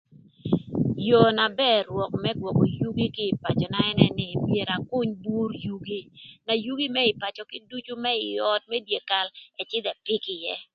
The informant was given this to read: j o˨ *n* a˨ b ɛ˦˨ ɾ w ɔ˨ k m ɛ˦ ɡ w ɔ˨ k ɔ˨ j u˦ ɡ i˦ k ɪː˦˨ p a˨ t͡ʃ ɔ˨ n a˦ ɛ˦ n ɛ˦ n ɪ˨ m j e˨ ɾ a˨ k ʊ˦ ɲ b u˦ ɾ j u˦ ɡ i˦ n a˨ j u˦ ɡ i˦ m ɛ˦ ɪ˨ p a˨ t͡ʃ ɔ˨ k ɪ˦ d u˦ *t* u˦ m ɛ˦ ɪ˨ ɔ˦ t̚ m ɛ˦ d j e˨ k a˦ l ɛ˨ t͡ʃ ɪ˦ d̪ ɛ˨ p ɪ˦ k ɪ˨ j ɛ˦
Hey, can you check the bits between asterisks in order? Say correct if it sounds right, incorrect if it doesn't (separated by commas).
correct, incorrect